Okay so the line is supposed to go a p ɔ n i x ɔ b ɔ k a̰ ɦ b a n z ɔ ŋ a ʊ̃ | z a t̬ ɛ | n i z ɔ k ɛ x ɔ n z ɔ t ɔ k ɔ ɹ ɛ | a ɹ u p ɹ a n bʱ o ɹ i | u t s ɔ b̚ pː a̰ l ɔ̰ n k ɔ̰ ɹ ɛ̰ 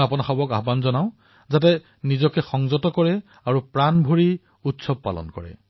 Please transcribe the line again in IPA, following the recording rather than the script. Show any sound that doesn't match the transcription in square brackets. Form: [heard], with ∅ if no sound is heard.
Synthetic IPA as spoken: a p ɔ n [a] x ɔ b ɔ k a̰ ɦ b a n z ɔ [n] a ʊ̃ | z a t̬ ɛ | n i z ɔ k ɛ x ɔ [ŋ] z ɔ t ɔ k ɔ ɹ ɛ | a ɹ u p ɹ a n bʱ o ɹ i | u t s ɔ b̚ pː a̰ l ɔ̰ n k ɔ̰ ɹ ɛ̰